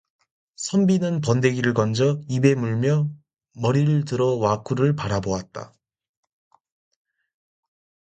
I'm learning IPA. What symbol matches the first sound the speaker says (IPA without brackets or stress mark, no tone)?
sʰ